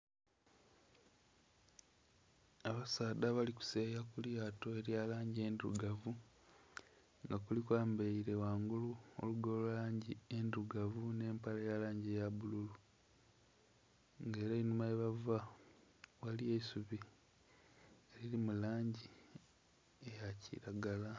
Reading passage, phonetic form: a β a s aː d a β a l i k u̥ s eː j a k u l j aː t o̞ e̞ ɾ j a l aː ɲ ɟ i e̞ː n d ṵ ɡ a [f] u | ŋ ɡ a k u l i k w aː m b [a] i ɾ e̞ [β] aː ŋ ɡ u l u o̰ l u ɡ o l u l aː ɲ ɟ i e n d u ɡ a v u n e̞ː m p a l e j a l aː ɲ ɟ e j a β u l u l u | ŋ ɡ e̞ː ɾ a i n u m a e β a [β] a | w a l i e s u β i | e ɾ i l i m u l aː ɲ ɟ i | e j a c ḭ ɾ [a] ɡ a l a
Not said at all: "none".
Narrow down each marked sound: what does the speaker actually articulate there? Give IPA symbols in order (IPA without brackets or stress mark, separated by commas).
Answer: v, e, w, v, a